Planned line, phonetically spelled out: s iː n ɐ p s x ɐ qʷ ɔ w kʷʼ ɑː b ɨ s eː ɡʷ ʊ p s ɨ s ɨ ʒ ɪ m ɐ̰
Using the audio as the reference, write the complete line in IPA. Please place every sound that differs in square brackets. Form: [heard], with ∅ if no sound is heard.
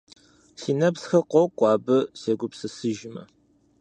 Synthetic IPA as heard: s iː n ɐ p s x ɐ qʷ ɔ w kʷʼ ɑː b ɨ s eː ɡʷ ʊ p s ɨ s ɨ ʒ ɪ m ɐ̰